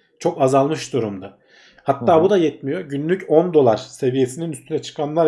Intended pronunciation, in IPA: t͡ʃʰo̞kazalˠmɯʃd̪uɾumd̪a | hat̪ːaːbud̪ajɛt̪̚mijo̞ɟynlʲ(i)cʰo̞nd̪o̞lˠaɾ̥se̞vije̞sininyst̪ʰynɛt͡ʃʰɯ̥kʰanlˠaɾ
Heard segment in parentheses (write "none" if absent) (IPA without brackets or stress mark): y